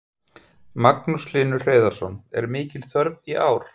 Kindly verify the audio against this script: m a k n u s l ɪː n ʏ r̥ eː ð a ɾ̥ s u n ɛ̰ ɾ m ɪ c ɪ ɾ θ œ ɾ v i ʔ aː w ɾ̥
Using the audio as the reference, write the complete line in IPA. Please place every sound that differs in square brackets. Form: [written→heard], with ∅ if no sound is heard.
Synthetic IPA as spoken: m a k n u s l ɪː n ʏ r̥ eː ð a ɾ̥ s [u→ɔ] n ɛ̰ ɾ m [ɪ→ɪː] c ɪ [ɾ→l] θ œ ɾ v i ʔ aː w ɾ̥